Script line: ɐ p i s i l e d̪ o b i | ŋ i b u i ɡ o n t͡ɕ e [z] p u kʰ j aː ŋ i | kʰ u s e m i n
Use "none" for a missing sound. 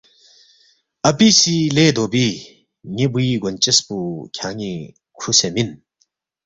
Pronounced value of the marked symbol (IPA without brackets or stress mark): s